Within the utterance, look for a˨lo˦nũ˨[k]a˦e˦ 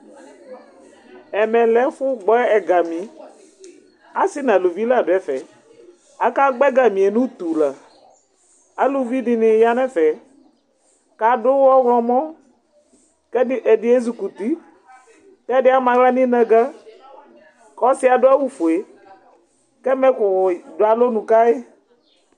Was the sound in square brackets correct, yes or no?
yes